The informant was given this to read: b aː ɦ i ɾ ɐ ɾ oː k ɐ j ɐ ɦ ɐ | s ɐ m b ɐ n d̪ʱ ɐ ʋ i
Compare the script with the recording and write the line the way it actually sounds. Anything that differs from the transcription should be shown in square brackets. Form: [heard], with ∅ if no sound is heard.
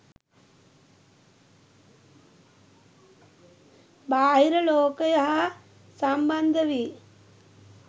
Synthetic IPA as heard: b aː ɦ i ɾ ɐ [l] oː k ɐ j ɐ ɦ ɐ | s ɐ m b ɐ n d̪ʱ ɐ ʋ i